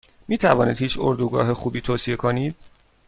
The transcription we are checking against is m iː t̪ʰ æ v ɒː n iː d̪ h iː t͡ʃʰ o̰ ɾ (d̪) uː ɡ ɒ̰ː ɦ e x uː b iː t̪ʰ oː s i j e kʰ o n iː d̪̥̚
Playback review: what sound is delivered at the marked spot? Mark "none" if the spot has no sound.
d̪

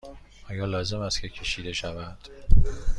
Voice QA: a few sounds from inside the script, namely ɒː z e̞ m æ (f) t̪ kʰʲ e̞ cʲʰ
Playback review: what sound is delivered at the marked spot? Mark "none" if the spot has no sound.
s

